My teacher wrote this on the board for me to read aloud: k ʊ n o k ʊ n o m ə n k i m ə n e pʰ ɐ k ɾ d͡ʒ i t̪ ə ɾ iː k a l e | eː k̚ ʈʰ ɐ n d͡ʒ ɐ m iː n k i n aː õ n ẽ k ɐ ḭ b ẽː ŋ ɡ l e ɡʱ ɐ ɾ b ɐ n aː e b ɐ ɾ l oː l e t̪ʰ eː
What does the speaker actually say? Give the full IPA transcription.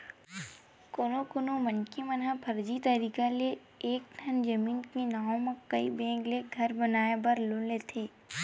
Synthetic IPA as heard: k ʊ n o k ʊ n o m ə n k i m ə n a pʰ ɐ ɾ d͡ʒ i t̪ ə ɾ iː k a l e | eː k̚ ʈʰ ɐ n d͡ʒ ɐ m iː n k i n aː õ m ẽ k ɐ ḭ b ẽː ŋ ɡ l e ɡʱ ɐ ɾ b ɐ n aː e b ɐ ɾ l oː l e t̪ʰ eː